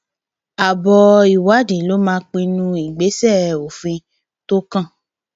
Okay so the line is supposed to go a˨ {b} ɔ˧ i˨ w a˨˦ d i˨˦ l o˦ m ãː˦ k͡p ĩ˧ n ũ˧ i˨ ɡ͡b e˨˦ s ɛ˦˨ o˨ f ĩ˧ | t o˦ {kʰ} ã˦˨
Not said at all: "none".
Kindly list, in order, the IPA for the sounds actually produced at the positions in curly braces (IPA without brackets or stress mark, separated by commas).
b, k